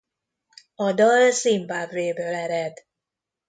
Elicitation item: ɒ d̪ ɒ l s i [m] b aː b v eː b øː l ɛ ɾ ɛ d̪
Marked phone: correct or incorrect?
correct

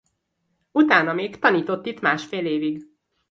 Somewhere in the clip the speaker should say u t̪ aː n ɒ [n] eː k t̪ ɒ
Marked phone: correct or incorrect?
incorrect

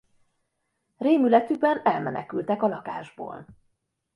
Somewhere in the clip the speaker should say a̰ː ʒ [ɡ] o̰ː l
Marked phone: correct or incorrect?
incorrect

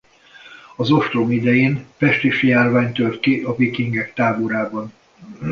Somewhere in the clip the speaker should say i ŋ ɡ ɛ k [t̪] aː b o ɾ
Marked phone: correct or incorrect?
correct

